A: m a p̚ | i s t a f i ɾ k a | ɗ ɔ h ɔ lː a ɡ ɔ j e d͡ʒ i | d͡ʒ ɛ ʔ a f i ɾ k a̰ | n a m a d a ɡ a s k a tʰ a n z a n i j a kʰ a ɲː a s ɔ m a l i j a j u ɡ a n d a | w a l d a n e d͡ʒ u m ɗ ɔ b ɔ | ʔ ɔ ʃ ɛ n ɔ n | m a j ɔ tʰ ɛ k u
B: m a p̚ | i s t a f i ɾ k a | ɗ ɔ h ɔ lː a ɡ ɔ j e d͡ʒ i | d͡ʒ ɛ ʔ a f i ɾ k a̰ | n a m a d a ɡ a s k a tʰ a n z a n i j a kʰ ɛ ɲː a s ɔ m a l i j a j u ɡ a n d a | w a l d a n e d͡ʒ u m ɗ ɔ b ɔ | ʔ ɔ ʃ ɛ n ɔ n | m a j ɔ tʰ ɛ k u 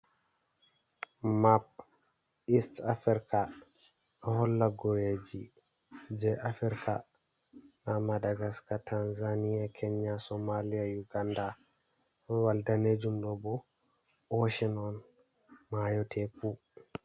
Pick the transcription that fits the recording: B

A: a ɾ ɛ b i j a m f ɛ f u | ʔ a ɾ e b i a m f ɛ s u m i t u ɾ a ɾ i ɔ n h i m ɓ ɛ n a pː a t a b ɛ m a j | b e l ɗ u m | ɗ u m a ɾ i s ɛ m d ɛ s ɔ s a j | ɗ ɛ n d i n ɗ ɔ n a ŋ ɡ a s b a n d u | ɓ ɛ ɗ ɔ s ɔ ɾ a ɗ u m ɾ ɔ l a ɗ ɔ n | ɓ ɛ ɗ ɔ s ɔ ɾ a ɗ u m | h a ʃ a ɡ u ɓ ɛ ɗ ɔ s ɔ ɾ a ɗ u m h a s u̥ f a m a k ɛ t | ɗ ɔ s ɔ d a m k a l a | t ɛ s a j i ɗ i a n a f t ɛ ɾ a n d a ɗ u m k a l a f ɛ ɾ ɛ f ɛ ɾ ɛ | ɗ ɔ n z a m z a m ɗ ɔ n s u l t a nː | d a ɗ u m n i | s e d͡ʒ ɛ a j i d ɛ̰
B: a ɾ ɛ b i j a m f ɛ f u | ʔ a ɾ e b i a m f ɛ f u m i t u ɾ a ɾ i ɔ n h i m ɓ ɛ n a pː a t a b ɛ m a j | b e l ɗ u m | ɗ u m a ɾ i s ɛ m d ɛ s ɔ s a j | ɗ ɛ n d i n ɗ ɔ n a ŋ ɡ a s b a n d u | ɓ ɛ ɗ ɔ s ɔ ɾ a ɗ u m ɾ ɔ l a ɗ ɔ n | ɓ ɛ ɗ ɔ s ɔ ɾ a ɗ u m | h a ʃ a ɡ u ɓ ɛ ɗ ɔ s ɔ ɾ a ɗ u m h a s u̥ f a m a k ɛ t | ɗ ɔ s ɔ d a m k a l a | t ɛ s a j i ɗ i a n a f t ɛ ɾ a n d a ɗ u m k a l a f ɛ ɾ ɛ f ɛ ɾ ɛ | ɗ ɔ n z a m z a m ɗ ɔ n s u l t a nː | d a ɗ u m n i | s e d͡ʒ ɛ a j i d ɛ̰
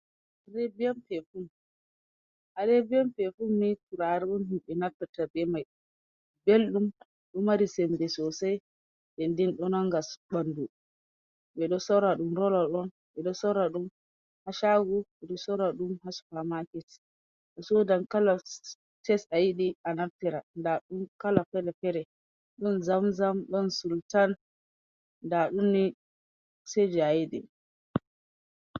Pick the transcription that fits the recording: B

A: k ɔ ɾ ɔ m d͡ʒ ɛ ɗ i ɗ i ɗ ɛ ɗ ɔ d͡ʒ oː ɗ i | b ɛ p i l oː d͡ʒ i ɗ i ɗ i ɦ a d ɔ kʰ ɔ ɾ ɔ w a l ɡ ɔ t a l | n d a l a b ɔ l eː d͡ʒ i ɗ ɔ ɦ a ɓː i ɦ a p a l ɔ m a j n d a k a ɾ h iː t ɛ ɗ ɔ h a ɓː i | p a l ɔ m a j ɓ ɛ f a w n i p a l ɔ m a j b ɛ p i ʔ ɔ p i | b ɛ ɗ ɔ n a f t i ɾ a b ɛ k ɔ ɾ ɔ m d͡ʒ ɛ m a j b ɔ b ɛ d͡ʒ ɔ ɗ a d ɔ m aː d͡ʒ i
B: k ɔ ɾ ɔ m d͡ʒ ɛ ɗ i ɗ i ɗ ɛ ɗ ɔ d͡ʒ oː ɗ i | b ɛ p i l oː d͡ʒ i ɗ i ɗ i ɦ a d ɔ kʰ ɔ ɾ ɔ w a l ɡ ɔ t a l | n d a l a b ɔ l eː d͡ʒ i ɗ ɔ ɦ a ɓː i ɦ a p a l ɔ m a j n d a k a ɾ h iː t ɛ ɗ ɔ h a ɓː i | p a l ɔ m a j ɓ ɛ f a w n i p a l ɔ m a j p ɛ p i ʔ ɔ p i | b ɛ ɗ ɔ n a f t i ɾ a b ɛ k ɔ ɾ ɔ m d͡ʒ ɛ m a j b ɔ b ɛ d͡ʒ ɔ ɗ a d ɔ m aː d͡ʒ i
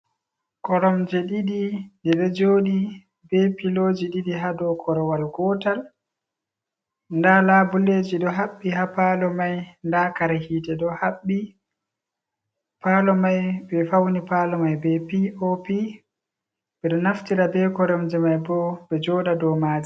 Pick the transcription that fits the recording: A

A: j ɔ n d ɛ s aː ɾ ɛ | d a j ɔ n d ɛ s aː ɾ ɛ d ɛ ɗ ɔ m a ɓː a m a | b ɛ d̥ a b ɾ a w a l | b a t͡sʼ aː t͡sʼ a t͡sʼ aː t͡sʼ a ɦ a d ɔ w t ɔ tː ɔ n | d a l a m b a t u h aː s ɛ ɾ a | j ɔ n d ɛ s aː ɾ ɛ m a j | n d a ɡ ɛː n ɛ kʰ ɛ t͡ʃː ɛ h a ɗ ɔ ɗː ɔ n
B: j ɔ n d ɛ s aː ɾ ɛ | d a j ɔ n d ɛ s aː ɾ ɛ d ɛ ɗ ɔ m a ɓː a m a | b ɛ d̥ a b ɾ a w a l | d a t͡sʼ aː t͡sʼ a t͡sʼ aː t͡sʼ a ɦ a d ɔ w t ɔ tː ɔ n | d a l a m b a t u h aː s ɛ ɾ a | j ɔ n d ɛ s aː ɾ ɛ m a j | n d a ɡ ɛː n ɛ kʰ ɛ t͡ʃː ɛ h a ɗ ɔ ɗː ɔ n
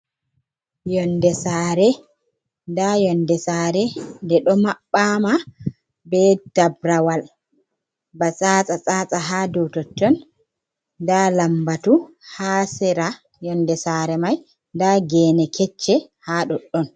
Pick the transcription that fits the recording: A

